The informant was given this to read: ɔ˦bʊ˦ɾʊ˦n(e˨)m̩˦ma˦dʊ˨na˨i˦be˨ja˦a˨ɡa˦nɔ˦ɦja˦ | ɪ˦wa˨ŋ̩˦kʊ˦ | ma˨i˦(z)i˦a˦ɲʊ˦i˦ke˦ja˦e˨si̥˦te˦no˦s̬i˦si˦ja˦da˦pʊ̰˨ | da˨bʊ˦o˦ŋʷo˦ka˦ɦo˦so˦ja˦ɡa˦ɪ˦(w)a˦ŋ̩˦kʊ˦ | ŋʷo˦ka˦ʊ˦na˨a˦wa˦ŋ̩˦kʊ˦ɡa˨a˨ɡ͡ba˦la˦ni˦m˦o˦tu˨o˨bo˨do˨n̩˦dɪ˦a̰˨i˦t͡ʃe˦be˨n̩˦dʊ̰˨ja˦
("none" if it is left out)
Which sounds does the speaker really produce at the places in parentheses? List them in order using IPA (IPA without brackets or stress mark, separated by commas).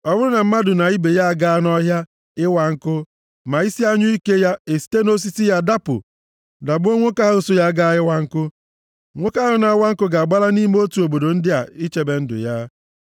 a˨, s, w